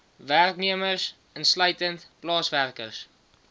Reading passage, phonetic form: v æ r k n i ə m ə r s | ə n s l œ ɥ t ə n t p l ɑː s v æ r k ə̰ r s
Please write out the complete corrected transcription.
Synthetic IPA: v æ r k n i ə m ə r s | ə n s l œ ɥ t ə n t p l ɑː s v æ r k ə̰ r s